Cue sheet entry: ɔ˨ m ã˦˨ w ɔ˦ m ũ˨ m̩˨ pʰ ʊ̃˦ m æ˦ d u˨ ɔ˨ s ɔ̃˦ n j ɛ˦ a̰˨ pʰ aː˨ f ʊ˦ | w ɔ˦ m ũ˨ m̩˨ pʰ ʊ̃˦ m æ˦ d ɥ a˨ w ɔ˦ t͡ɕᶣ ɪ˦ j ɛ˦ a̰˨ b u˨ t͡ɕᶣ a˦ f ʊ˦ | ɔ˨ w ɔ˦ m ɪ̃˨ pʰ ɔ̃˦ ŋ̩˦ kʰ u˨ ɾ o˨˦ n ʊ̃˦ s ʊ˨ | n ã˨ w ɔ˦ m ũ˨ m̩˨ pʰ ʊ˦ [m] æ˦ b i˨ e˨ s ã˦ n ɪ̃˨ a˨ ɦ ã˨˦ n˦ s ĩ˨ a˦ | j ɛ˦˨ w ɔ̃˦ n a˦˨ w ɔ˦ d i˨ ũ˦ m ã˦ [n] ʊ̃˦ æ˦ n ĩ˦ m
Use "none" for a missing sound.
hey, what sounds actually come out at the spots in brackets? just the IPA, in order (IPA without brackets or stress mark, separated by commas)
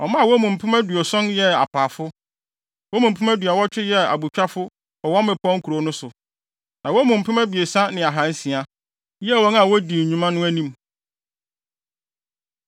m, n